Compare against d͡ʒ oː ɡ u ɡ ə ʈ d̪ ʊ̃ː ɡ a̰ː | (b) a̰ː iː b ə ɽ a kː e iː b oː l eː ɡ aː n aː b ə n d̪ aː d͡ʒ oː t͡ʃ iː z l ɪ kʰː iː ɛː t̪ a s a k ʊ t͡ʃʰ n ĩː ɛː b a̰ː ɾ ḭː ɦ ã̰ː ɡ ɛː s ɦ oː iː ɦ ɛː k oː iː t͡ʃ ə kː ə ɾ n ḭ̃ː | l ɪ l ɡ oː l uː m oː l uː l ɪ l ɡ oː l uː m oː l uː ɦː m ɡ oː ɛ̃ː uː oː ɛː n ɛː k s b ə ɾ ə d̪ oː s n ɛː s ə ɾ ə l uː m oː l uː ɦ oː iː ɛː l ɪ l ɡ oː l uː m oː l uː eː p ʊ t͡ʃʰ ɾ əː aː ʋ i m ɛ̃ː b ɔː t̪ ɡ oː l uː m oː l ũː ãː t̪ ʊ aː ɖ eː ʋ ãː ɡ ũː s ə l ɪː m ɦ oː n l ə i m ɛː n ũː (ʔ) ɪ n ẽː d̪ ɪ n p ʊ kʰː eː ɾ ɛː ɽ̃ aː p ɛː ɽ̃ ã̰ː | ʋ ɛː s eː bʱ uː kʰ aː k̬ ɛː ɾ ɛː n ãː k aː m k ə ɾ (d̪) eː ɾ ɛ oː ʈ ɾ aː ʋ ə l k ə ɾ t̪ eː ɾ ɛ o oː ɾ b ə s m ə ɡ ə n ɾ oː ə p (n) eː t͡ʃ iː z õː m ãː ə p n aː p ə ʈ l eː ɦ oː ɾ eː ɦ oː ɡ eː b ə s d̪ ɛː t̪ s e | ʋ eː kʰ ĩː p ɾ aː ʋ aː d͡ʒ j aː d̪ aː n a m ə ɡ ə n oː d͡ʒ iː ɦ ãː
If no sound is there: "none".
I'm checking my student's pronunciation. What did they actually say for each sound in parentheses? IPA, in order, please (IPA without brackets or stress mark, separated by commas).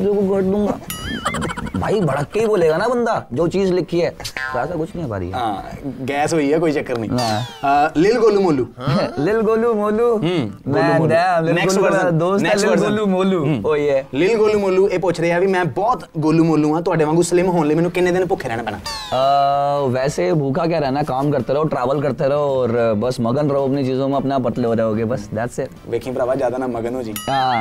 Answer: b, k, t̪, n